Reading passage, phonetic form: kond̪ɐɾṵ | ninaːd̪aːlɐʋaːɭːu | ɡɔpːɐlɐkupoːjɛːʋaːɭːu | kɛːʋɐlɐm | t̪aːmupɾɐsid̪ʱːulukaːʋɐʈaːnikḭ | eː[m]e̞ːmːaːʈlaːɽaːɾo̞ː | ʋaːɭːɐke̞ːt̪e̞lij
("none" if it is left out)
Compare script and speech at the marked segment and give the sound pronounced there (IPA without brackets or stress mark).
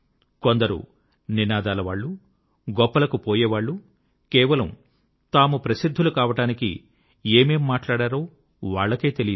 m